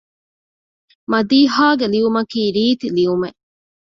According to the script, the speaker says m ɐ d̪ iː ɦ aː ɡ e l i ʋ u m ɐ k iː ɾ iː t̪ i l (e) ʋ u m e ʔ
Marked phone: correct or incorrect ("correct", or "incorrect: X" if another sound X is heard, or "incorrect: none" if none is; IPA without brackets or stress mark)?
incorrect: i